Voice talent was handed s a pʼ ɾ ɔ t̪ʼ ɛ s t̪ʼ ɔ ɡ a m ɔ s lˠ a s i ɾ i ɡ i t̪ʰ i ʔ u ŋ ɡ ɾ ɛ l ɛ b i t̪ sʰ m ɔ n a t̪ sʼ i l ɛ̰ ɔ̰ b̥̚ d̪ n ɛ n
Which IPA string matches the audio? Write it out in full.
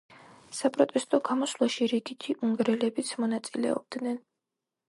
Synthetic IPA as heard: s a pʼ ɾ ɔ t̪ʼ ɛ s t̪ʼ ɔ ɡ a m ɔ s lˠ a ʃ i ɾ i ɡ i t̪ʰ i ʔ u ŋ ɡ ɾ ɛ l ɛ b i t̪ sʰ m ɔ n a t̪ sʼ i l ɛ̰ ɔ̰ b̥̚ d̪ n ɛ n

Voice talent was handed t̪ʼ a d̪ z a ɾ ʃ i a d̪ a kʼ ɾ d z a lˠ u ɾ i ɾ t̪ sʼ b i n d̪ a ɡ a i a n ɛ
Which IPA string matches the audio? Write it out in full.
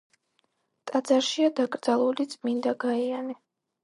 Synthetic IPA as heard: t̪ʼ a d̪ z a ɾ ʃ i a d̪ a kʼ ɾ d z a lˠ u l i t̪ sʼ m i n d̪ a ɡ a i a n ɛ

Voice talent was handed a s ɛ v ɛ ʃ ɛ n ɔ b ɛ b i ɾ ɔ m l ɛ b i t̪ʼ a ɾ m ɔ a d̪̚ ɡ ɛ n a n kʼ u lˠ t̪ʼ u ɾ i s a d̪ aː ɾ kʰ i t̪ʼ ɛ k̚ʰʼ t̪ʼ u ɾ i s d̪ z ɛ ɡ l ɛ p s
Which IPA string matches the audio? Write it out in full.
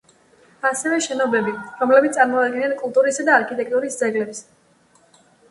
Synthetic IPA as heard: a s ɛ v ɛ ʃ ɛ n ɔ b ɛ b i ɾ ɔ m l ɛ b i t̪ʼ a ɾ m ɔ a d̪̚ ɡ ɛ n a n kʼ u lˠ t̪ʼ u ɾ i s a d̪ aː ɾ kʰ i t̪ʼ ɛ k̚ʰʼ t̪ʼ u ɾ i s d̪ z ɛ ɡ l ɛ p s

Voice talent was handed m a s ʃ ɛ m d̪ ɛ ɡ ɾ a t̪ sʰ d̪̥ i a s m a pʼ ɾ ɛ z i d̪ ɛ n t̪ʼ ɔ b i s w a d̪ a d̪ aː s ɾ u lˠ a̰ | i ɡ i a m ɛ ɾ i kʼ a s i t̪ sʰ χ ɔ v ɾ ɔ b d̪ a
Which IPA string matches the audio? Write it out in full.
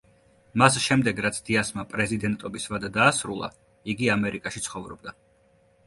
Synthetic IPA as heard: m a s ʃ ɛ m d̪ ɛ ɡ ɾ a t̪ sʰ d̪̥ i a s m a pʼ ɾ ɛ z i d̪ ɛ n t̪ʼ ɔ b i s v a d̪ a d̪ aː s ɾ u lˠ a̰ | i ɡ i a m ɛ ɾ i kʼ a ʃ i t̪ sʰ χ ɔ v ɾ ɔ b d̪ a

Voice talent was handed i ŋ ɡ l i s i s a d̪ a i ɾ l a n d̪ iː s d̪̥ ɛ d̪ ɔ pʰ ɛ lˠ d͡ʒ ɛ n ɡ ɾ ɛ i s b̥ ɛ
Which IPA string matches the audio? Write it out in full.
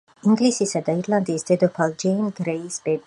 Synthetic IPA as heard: i ŋ ɡ l i s i s a d̪ a i ɾ l a n d̪ iː s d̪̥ ɛ d̪ ɔ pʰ a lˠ d͡ʒ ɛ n ɡ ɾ ɛ i s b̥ ɛ

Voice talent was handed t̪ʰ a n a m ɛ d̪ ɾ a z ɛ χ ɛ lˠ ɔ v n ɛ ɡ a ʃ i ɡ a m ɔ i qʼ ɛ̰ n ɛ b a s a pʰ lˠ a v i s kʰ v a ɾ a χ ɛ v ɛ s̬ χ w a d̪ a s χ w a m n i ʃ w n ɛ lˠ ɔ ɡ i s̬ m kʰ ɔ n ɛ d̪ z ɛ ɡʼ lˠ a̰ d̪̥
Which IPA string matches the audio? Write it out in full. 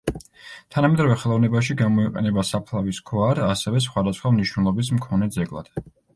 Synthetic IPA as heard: t̪ʰ a n a m ɛ d̪ ɾ a v ɛ χ ɛ lˠ ɔ v n ɛ b a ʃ i ɡ a m ɔ i qʼ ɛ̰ n ɛ b a s a pʰ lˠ a v i s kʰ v a ɾ a s ɛ v ɛ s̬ χ w a d̪ a s χ w a m n i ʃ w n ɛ lˠ ɔ b i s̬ m kʰ ɔ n ɛ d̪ z ɛ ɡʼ lˠ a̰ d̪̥

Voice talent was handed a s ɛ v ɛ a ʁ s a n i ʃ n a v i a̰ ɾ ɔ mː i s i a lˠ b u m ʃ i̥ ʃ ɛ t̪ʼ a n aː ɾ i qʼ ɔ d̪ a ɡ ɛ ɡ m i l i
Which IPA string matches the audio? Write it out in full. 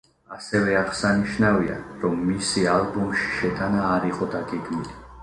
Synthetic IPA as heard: a s ɛ v ɛ a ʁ s a n i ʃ n a v i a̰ ɾ ɔ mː i s i a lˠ b u m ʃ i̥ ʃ ɛ t̪ʼ a n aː ɾ i qʼ ɔ d̪ a ɡ ɛ ɡ m i l i

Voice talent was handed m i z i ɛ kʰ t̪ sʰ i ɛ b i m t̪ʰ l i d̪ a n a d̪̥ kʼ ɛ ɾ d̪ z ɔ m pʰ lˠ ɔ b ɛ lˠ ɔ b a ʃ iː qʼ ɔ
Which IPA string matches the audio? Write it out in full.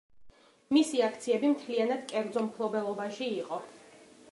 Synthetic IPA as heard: m i s i a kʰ t̪ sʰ i ɛ b i m t̪ʰ l i a n a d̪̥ kʼ ɛ ɾ d̪ z ɔ m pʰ lˠ ɔ b ɛ lˠ ɔ b a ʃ iː qʼ ɔ

